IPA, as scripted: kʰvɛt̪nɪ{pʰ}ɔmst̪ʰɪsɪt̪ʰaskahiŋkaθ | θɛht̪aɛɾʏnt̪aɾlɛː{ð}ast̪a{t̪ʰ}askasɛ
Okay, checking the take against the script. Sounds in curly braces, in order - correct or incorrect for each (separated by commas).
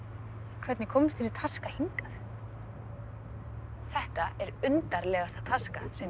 incorrect, incorrect, correct